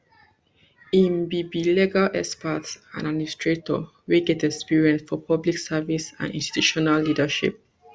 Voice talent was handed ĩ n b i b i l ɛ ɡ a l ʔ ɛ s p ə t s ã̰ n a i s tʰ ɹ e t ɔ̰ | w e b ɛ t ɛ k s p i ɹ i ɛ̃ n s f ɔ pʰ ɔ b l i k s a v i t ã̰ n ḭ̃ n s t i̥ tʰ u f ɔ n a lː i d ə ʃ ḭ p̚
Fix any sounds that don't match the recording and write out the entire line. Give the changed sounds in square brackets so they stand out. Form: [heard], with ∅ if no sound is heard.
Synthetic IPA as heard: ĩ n b i b i l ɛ ɡ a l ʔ ɛ s p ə t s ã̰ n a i s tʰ ɹ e t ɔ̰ | w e [ɡ] ɛ t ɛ k s p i ɹ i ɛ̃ n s f ɔ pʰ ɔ b l i k s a v i [s] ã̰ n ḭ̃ n s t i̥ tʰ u [ʃ] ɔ n a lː i d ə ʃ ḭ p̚